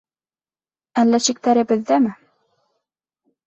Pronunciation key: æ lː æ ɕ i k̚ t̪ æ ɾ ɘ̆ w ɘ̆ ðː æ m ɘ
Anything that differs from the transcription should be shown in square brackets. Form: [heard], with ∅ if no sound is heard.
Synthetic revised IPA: æ lː æ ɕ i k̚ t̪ æ ɾ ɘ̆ [b] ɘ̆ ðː æ m ɘ